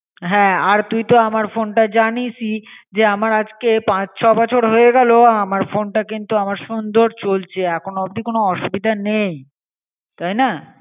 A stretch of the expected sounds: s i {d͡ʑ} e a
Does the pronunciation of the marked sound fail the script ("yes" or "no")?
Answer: no